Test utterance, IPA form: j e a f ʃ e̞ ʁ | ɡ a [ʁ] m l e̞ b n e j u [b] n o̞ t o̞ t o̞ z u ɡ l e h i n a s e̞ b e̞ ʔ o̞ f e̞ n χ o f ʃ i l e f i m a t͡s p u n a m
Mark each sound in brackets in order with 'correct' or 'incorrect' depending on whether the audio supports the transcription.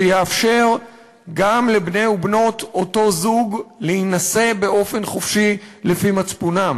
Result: incorrect, correct

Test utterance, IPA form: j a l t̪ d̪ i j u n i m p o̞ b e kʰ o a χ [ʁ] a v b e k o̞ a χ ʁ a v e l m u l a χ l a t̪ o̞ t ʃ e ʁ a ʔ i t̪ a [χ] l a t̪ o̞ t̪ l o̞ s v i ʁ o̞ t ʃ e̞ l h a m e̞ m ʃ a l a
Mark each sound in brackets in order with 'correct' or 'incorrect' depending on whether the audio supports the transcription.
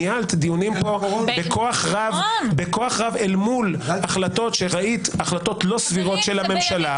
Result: correct, correct

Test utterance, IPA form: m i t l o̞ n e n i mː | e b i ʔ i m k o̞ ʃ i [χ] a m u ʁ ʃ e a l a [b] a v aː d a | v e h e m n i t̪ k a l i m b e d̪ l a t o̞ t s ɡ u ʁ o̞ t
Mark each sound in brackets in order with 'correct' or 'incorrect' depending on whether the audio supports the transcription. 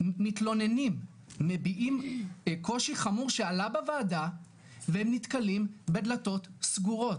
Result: correct, correct

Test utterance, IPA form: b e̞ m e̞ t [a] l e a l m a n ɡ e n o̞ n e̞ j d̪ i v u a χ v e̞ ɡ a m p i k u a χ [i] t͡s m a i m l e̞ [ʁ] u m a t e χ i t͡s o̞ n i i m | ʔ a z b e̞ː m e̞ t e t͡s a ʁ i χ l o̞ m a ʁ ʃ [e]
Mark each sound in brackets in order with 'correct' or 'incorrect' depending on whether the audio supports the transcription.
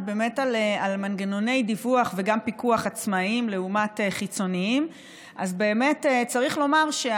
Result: correct, incorrect, incorrect, correct

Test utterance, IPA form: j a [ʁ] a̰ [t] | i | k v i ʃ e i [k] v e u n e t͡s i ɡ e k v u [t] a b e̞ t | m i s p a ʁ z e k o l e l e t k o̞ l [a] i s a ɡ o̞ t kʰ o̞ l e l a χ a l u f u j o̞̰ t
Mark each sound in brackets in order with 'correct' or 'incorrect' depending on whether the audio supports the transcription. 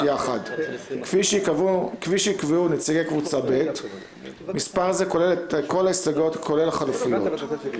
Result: incorrect, incorrect, correct, incorrect, correct

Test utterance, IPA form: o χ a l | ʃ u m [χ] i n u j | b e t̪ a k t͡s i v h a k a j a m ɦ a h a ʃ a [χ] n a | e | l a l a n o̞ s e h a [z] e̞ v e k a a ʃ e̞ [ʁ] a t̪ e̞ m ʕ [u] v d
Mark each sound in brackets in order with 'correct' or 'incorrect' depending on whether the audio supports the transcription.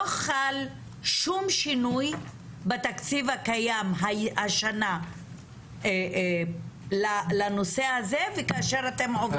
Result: incorrect, incorrect, correct, correct, incorrect

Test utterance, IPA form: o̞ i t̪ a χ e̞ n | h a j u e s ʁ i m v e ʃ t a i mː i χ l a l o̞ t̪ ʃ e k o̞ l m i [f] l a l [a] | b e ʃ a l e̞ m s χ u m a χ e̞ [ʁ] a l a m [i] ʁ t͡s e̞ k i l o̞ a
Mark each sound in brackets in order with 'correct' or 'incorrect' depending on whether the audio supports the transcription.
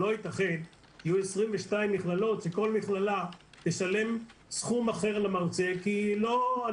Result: incorrect, correct, correct, incorrect

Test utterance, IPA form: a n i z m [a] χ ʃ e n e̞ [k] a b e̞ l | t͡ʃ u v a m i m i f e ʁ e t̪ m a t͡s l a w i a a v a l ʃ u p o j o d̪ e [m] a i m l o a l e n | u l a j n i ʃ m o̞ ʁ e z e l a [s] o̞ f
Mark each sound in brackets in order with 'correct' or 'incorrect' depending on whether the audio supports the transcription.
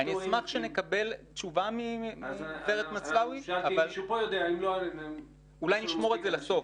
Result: correct, correct, incorrect, correct

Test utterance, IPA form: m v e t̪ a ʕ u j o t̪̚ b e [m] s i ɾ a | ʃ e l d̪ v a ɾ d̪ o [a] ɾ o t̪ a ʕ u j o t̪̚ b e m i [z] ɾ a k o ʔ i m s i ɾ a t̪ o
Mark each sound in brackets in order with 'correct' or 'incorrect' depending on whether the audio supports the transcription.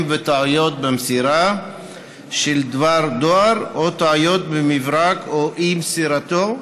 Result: correct, correct, incorrect

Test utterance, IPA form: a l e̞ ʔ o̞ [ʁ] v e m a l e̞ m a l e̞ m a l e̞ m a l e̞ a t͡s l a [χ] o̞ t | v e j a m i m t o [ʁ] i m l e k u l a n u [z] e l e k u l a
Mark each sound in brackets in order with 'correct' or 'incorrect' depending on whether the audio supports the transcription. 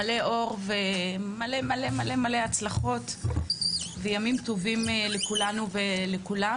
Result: correct, correct, incorrect, incorrect

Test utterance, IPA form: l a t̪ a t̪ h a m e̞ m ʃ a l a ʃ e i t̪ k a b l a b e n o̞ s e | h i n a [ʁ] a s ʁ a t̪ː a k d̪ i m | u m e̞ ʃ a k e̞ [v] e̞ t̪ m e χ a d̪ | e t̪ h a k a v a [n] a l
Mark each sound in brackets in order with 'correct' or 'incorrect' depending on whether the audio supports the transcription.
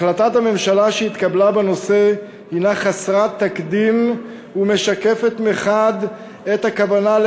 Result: incorrect, incorrect, correct

